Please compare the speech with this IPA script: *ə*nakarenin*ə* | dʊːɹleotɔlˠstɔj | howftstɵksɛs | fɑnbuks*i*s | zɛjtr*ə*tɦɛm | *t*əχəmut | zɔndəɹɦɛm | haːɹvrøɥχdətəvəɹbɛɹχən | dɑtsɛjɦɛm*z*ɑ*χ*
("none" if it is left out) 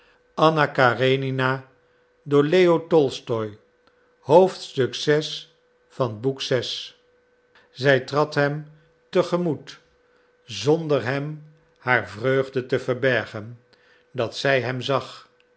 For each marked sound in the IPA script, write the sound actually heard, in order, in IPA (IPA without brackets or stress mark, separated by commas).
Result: ɑ, a, ɛ, ɑ, t, z, χ